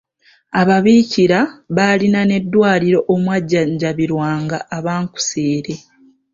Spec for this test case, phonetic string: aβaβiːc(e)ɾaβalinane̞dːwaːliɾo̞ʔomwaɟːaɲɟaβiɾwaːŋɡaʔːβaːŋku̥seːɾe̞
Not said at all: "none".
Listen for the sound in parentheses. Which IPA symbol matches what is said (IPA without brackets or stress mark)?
i